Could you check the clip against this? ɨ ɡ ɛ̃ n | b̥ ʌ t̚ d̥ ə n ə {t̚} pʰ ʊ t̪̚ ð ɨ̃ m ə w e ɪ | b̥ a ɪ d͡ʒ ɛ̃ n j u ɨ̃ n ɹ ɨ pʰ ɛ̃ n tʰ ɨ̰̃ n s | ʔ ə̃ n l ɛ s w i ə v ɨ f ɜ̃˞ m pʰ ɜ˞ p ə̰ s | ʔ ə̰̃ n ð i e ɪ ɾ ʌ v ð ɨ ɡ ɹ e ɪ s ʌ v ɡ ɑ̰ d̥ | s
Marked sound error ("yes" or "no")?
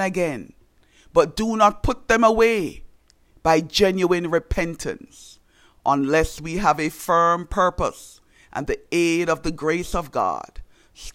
no